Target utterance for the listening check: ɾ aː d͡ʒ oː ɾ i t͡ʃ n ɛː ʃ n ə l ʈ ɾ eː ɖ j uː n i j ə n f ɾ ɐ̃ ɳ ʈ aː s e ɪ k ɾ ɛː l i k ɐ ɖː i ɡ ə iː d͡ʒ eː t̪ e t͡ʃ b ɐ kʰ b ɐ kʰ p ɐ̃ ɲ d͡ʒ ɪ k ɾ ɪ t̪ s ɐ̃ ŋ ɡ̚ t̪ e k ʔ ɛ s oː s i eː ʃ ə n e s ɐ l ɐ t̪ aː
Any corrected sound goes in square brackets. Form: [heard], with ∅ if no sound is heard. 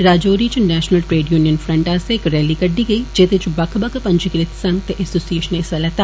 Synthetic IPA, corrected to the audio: ɾ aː d͡ʒ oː ɾ i t͡ʃ n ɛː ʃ n ə l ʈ ɾ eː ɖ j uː n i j ə n f ɾ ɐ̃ ɳ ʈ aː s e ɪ k ɾ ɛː l i k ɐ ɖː i ɡ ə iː d͡ʒ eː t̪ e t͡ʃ b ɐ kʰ b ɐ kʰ p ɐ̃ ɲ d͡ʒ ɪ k ɾ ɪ t̪ s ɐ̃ ŋ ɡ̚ t̪ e [∅] ʔ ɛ s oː s i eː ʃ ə n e s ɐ l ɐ t̪ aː